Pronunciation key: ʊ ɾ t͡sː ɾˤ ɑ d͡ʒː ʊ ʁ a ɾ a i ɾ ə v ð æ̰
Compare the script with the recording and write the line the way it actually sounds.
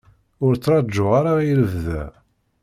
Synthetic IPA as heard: ʊ ɾ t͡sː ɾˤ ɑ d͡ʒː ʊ ʁ a ɾ a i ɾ ə v ð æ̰

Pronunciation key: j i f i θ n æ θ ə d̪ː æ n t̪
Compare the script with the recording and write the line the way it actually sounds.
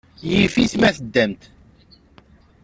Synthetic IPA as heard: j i f i θ m æ θ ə d̪ː æ m t̪

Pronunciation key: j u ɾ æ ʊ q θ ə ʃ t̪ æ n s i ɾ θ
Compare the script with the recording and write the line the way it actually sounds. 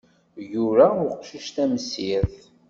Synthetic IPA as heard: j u ɾ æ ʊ q ʃ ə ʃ t̪ æ m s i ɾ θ

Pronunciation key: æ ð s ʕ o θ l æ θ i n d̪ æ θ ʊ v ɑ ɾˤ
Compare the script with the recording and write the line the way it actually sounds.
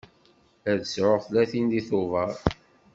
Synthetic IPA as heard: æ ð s ʕ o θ l æ θ i n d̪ i θ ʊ v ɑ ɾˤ

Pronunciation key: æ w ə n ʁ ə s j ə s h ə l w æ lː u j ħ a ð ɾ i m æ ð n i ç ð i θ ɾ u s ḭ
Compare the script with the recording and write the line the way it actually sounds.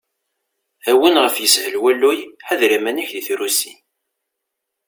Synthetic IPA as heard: æ w ə n ʁ ə f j ə s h ə l w æ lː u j ħ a ð ɾ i m æ n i ç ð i θ ɾ u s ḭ

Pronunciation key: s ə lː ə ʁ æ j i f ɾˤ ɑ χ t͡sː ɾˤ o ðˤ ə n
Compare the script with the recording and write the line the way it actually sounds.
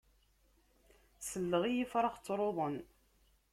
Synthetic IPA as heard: s ə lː ə ʁ i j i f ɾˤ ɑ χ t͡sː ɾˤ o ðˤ ə n

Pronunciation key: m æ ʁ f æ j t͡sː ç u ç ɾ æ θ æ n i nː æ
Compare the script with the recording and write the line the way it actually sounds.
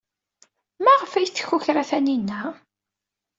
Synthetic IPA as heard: m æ ʁ f æ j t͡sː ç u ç ɾ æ θ æ n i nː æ

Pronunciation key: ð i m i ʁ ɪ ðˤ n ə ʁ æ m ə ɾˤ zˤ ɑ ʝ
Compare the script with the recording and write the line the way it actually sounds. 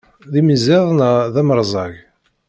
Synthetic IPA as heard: ð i m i z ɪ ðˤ n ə ð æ m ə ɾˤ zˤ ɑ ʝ

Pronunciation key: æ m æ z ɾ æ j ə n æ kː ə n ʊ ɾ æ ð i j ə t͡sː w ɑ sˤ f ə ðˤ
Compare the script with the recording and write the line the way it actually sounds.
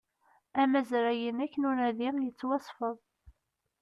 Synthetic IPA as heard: æ m æ z ɾ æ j ə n æ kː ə n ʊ ɾ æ ð i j ə t͡sː w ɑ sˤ f ə ðˤ

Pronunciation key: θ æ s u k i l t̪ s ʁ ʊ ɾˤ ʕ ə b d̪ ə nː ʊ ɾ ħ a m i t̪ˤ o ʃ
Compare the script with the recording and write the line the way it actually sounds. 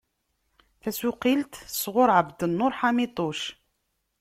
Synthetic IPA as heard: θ æ s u q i l t̪ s ʁ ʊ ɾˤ ʕ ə b d̪ ə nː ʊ ɾ ħ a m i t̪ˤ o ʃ

